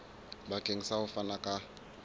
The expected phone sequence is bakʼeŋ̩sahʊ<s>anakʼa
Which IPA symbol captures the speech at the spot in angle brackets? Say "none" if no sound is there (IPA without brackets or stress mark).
f